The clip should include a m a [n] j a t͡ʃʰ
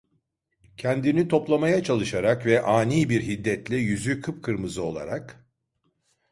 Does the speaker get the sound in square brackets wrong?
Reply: yes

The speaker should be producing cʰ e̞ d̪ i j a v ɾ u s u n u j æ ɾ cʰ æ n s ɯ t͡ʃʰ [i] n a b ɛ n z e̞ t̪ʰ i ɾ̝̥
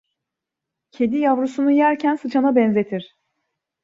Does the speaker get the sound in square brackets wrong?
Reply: yes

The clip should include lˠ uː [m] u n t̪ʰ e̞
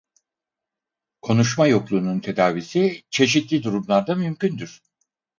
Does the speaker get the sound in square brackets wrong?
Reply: yes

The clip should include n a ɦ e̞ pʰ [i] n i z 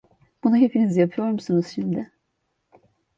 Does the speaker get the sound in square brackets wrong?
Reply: no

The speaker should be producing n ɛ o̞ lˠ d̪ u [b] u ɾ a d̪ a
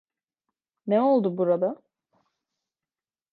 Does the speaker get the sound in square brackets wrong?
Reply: no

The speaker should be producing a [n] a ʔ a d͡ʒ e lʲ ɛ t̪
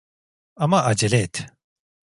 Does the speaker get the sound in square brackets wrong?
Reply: yes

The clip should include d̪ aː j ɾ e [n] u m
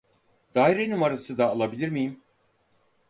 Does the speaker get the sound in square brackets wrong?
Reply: no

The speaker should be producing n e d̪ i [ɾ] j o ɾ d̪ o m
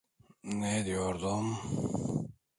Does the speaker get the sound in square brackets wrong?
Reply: yes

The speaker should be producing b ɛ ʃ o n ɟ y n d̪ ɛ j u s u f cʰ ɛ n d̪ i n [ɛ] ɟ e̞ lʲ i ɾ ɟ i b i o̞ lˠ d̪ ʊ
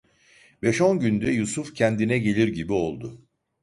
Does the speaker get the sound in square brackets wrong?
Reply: no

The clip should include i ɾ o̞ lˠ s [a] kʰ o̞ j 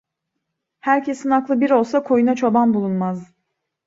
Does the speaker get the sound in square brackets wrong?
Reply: no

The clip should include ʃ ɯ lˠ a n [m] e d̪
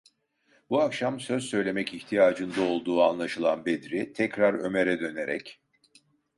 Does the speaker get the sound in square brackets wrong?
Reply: yes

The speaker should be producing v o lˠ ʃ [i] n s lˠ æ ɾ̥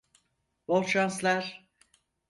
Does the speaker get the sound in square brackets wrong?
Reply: yes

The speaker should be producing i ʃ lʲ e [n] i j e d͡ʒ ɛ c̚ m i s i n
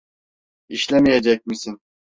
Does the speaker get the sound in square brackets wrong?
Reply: yes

